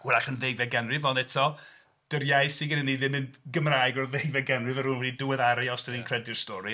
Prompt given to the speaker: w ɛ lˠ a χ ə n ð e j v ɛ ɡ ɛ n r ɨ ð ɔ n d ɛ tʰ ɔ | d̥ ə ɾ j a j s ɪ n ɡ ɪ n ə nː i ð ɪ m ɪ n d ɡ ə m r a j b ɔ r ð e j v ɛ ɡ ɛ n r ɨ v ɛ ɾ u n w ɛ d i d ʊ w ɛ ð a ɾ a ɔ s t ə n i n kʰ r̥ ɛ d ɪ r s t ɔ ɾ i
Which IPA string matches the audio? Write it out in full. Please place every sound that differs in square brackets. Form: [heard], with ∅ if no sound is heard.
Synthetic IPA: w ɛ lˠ a χ ə n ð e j v ɛ ɡ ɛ n r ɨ [v] ɔ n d ɛ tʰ ɔ | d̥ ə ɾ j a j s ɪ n ɡ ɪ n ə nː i ð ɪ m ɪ n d ɡ ə m r a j [ɡ] ɔ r ð e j v ɛ ɡ ɛ n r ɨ v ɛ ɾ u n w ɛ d i d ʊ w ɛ ð a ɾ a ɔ s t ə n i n kʰ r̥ ɛ d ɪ r s t ɔ ɾ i